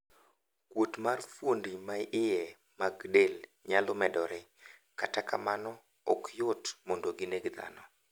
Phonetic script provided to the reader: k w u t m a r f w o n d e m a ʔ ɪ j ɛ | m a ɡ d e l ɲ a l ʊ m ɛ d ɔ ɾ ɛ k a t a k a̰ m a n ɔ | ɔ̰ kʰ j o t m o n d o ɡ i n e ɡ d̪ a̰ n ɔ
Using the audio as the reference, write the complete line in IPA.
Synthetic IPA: k w o t m a r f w o n d i m a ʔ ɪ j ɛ | m a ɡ d e l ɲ a l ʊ m ɛ d ɔ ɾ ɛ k a t a k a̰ m a n ɔ | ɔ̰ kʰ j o t m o n d o ɡ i n e ɡ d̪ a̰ n ɔ